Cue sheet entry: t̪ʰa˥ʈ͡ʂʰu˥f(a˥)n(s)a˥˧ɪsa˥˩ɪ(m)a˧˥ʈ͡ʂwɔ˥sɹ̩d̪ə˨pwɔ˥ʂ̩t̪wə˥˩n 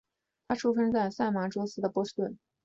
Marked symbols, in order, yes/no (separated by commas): no, no, yes